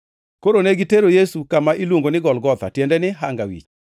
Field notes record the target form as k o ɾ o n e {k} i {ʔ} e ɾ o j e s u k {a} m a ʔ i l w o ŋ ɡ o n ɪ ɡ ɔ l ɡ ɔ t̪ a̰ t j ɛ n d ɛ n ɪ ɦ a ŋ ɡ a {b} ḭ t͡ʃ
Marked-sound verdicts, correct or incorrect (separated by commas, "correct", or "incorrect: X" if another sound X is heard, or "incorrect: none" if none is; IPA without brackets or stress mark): incorrect: ɡ, incorrect: t, correct, incorrect: w